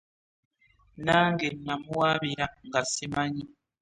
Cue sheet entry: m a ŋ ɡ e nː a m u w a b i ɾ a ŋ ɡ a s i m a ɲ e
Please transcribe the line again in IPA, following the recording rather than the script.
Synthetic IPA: n a ŋ ɡ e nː a m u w a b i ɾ a ŋ ɡ a s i m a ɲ i